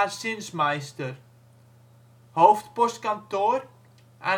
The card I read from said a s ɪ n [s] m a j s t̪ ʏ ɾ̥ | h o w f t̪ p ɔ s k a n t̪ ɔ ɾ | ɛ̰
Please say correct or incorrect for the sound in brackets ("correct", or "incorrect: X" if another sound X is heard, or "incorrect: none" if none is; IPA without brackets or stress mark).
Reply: correct